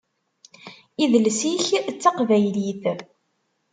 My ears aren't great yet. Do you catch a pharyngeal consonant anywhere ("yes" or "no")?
no